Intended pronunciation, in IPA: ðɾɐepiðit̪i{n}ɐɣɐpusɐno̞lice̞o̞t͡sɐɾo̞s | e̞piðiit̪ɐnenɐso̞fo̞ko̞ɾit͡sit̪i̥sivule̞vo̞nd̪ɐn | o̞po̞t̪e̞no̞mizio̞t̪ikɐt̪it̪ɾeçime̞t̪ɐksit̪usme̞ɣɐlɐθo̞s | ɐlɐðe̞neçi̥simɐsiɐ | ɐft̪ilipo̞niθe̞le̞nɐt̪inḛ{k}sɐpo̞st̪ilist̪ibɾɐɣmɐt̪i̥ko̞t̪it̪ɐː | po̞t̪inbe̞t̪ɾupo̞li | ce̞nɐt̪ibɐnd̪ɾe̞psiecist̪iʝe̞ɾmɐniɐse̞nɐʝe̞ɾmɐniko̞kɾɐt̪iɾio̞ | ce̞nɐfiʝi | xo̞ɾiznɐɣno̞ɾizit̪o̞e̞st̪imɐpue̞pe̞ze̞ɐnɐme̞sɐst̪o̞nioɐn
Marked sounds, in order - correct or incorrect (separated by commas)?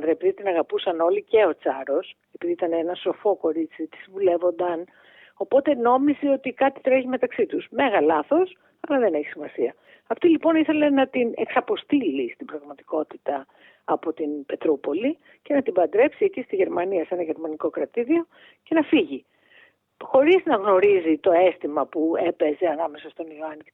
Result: correct, correct